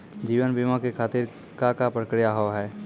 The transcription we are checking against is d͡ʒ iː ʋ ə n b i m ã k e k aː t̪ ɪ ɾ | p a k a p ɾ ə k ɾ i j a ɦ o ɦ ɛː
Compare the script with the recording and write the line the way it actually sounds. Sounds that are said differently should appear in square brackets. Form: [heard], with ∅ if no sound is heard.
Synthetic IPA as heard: d͡ʒ iː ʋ ə n b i m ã k e [kʰ] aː t̪ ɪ ɾ | [k] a k a p ɾ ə k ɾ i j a ɦ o ɦ ɛː